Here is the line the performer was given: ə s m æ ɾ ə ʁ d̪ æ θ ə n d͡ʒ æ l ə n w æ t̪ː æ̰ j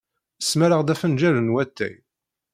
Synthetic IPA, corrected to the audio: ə s m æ ɾ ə ʁ d̪ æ f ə n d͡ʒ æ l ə n w æ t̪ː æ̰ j